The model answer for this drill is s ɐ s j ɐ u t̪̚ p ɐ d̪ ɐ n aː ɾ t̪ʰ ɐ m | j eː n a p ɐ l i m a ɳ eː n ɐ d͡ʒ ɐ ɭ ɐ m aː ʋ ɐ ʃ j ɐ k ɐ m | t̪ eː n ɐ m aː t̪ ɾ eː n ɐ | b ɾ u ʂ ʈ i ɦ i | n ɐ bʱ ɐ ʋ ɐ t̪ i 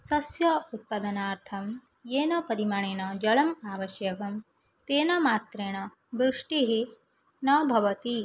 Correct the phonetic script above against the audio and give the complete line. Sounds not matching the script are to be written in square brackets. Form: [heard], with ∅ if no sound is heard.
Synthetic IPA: s ɐ s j ɐ u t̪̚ p ɐ d̪ ɐ n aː ɾ t̪ʰ ɐ m | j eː n [ɐ] p ɐ [ɾ] i m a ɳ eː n ɐ d͡ʒ ɐ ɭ ɐ m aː ʋ ɐ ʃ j ɐ k ɐ m | t̪ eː n ɐ m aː t̪ ɾ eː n ɐ | b ɾ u ʂ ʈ i ɦ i | n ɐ bʱ ɐ ʋ ɐ t̪ i